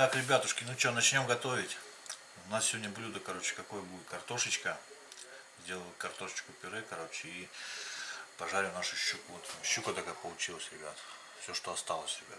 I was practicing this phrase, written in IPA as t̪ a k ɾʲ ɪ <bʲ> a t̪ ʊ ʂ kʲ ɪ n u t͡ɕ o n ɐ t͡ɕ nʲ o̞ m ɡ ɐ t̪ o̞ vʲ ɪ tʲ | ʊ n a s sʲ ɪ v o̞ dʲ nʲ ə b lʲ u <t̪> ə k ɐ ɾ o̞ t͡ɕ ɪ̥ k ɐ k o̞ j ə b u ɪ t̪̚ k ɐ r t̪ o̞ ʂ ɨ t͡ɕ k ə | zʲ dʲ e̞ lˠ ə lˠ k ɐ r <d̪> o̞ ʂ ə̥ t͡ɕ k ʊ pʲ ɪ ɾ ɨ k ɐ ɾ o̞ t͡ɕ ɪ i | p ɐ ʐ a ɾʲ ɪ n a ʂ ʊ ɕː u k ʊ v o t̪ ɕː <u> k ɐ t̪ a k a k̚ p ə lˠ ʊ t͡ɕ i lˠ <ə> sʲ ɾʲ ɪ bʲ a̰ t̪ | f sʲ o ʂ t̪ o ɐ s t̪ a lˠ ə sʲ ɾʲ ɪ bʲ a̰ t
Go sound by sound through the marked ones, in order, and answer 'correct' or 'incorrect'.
correct, incorrect: d̪, incorrect: t̪, correct, correct

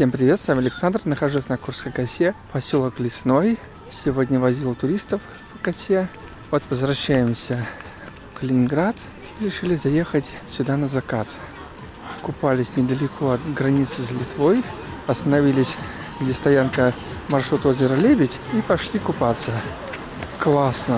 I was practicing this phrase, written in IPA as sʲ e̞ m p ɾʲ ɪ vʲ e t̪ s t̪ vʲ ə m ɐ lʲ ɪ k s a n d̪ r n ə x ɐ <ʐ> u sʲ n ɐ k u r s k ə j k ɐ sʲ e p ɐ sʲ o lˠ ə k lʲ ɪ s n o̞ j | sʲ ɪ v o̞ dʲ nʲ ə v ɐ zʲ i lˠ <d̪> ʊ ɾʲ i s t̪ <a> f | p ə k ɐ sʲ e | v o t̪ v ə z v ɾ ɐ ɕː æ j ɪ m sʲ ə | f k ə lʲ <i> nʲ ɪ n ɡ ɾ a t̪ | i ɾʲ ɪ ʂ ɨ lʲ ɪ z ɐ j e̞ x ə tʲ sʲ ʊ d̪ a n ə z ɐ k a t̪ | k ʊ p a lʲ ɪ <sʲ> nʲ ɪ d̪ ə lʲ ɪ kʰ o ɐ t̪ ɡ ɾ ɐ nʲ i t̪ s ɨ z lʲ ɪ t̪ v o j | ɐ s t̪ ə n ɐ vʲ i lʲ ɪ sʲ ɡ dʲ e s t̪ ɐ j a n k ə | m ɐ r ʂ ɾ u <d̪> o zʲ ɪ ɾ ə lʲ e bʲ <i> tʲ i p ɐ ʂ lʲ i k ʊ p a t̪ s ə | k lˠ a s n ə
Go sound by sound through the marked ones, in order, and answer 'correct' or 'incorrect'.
correct, incorrect: t̪, incorrect: ə, incorrect: ɪ, correct, incorrect: t̪, incorrect: ɪ

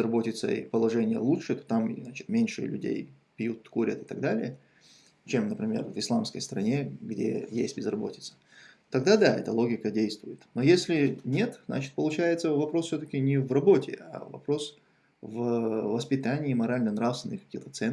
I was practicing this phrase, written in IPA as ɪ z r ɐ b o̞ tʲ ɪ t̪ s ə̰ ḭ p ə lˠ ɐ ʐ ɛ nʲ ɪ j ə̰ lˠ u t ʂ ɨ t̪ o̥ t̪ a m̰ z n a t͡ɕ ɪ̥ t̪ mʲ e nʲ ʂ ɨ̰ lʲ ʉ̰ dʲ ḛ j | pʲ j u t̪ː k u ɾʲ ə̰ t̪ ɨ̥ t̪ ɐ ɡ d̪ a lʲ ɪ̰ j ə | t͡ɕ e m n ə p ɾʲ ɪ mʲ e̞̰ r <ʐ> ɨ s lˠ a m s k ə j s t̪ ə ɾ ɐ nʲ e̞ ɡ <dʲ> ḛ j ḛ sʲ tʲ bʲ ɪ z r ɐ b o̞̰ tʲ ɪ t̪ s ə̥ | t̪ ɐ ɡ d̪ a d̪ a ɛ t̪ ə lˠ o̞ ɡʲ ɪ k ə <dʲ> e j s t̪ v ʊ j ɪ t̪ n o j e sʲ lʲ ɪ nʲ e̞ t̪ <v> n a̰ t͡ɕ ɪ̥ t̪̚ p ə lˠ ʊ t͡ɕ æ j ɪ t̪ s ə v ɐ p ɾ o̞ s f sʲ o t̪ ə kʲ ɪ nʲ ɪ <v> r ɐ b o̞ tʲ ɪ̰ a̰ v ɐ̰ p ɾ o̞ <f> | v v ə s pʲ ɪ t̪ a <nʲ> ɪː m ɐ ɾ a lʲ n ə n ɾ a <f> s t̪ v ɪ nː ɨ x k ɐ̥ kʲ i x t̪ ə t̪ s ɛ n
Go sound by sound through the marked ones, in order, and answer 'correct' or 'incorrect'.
incorrect: v, correct, correct, incorrect: z, correct, incorrect: s, correct, correct

